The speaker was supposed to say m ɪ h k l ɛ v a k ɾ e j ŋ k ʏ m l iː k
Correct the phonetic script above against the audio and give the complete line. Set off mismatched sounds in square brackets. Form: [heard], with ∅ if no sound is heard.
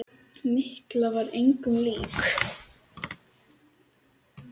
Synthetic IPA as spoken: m ɪ h k l [a] v a [∅] ɾ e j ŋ k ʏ m l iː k